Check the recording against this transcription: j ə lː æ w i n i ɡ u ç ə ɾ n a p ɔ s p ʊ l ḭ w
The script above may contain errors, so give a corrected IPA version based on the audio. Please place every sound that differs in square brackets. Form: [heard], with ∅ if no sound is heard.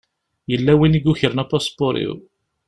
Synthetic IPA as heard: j ə lː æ w i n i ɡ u ç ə ɾ n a p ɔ s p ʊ [ɾ] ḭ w